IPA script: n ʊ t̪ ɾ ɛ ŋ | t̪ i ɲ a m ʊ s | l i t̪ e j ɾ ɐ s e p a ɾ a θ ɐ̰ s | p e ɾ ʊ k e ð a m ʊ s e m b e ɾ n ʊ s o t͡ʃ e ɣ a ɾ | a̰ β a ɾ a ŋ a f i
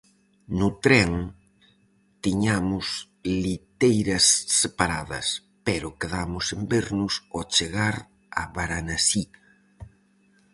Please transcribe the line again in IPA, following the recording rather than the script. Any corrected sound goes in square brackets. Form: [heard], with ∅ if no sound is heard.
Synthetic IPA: n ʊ t̪ ɾ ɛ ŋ | t̪ i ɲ a m ʊ s | l i t̪ e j ɾ ɐ [sː] e p a ɾ a [ð] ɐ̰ s | p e ɾ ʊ k e ð a m ʊ s e m b e ɾ n ʊ s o t͡ʃ e ɣ a ɾ | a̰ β a ɾ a [n] a [s] i